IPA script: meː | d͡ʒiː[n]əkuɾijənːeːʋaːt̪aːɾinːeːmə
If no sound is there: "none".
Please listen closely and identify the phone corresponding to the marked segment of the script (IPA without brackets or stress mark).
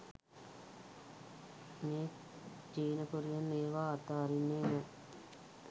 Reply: n